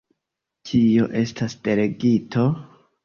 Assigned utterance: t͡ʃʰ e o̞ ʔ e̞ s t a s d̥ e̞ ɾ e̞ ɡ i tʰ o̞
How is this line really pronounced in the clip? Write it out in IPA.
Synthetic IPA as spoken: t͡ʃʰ i o̞ ʔ e̞ s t a s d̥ e̞ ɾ e̞ ɡ i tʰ o̞